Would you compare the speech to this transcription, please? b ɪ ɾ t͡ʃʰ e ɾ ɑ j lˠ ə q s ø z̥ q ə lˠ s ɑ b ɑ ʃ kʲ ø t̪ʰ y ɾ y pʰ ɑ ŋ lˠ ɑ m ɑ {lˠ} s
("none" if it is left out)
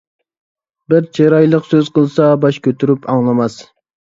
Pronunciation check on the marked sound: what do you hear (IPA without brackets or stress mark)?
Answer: none